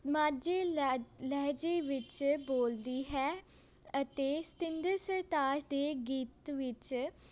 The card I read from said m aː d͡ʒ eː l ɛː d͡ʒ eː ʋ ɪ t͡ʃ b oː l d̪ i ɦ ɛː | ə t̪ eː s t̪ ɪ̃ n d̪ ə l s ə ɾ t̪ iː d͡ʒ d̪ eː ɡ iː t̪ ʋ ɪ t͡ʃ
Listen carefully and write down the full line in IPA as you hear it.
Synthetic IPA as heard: m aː d͡ʒ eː l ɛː d͡ʒ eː ʋ ɪ t͡ʃ b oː l d̪ iː ɦ ɛː | ə t̪ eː s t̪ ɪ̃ n d̪ ə ɾ s ə ɾ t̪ aː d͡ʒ d̪ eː ɡ iː t̪ ʋ ɪ t͡ʃ